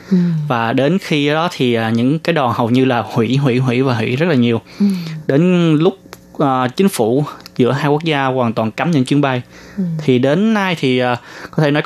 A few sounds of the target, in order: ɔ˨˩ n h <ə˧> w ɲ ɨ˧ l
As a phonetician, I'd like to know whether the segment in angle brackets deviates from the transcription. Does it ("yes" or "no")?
yes